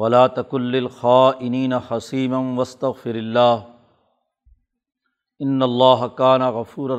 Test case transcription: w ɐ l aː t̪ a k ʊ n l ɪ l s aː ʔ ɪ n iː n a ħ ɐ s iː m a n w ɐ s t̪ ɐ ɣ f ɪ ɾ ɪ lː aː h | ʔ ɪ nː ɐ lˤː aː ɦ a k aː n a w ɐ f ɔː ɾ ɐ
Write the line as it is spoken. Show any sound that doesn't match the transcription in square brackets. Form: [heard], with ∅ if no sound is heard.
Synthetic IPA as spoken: w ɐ l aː t̪ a k ʊ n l ɪ l [x] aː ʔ ɪ n iː n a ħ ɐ s iː m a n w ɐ s t̪ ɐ ɣ f ɪ ɾ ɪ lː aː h | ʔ ɪ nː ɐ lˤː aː ɦ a k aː n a [ɣ] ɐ f [uː] ɾ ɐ